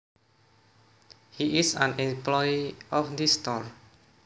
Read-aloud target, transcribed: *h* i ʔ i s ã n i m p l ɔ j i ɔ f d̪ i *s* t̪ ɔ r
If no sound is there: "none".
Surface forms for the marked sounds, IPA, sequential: h, s

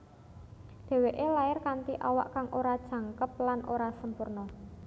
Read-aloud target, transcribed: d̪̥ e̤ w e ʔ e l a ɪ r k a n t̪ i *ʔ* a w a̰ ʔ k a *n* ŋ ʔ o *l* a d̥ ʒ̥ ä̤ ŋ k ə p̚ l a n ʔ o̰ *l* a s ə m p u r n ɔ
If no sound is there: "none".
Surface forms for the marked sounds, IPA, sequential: ʔ, none, ɾ, ɾ

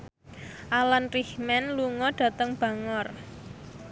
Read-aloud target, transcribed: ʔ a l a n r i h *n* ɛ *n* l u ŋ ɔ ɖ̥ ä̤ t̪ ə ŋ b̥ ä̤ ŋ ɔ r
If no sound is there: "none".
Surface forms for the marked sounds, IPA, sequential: m, n

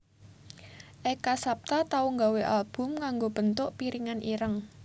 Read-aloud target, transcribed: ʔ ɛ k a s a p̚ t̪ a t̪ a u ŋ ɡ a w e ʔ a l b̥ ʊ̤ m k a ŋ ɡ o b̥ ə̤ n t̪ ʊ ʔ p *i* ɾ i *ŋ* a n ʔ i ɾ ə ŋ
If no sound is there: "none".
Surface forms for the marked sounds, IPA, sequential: i, ŋ

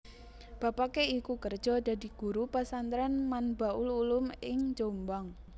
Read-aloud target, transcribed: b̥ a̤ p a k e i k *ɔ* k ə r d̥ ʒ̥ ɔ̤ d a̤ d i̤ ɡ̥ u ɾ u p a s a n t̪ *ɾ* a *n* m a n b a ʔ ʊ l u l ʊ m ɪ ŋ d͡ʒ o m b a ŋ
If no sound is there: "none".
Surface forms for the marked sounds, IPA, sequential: u, ɾ, n

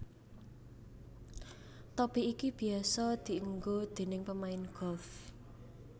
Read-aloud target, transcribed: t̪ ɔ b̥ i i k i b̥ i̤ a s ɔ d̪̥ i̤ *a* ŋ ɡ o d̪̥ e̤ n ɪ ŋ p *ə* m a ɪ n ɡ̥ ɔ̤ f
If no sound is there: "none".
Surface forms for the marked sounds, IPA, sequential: ə, ə

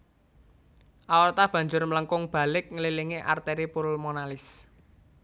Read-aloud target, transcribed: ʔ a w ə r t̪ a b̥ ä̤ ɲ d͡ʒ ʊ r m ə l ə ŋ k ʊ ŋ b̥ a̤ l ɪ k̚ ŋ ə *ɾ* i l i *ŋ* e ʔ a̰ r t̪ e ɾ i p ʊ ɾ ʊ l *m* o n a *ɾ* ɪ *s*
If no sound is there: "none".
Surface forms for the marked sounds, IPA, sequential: l, ŋ, m, l, s

